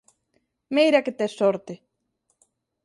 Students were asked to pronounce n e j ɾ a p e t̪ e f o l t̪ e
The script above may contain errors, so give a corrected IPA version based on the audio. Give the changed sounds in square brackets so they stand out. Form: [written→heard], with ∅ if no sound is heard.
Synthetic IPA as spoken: [n→m] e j ɾ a [p→k] e t̪ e [f→s] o [l→ɾ] t̪ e